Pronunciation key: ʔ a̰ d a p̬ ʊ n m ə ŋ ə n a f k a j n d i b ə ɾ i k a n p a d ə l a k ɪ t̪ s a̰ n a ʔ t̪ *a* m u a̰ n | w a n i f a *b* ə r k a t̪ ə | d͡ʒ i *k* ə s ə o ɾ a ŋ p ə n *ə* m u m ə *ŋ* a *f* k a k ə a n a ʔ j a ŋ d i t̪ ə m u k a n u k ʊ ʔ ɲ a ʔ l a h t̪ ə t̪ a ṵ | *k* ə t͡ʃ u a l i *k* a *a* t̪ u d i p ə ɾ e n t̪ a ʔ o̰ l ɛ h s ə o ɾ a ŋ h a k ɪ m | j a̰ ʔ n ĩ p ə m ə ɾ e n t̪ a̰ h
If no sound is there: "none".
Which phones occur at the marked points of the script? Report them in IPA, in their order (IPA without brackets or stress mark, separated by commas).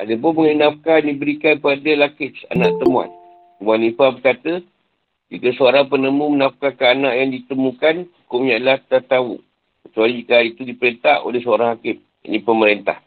ə, b, k, ə, n, f, k, k, i